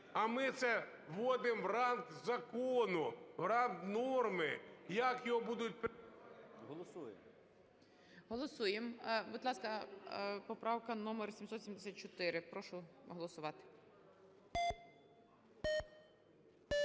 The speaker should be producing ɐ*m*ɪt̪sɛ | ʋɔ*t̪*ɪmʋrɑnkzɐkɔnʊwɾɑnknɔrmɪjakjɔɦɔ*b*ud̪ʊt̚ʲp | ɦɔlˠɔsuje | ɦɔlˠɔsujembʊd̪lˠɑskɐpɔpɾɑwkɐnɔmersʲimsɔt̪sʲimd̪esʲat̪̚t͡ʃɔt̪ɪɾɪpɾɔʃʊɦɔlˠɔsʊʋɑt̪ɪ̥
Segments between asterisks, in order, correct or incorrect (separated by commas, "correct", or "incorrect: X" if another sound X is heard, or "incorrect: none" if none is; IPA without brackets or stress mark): correct, incorrect: d̪, correct